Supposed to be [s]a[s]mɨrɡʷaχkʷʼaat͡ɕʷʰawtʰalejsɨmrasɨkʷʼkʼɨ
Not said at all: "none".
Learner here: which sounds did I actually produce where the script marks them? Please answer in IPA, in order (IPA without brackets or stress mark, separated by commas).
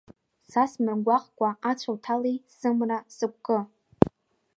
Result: s, s